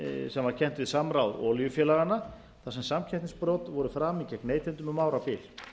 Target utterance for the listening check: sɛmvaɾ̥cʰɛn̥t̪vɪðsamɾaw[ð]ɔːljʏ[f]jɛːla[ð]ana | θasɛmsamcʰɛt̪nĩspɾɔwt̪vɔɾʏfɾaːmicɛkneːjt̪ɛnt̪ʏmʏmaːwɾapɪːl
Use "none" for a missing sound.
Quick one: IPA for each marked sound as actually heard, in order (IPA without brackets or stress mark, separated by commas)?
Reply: ð, f, ɣ